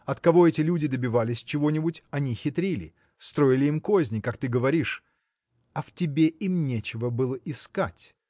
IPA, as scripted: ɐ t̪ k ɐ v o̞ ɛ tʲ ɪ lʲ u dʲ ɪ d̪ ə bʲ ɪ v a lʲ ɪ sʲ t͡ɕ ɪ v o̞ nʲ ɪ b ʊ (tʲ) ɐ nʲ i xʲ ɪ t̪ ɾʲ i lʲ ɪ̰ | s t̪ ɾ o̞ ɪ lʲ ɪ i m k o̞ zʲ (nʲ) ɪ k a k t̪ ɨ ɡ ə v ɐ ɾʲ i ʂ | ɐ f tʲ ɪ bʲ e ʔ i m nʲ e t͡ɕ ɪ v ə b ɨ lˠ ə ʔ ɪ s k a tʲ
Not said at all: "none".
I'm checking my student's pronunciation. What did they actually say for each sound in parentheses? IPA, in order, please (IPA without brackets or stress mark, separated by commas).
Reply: tʲ, nʲ